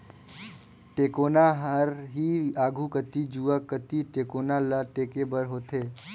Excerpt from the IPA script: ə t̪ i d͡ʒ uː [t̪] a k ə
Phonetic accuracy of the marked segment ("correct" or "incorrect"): incorrect